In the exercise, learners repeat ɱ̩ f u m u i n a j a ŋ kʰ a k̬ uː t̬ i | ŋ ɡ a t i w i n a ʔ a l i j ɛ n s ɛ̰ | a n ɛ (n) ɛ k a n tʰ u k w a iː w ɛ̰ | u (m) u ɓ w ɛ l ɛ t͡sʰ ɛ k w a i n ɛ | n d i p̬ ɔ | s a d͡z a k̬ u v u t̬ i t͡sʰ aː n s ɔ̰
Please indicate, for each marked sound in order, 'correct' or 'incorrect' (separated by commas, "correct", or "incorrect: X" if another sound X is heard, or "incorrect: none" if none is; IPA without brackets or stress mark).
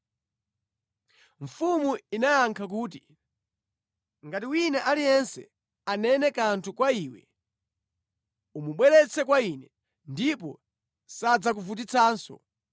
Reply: correct, correct